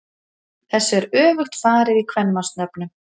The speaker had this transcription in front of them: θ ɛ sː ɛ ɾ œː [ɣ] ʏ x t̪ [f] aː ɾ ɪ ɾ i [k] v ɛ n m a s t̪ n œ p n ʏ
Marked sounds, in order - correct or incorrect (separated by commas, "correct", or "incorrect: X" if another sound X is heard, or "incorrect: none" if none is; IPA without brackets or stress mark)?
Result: incorrect: v, correct, incorrect: kʰ